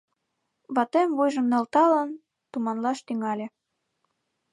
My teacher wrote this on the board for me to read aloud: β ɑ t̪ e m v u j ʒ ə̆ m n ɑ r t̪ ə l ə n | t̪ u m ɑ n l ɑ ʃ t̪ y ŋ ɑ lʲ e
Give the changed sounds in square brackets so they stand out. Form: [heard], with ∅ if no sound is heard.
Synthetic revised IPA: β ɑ t̪ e m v u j ʒ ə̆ m n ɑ [l] t̪ [ɑ] l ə n | t̪ u m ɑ n l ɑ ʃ t̪ y ŋ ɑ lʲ e